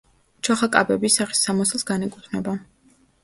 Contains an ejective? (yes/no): yes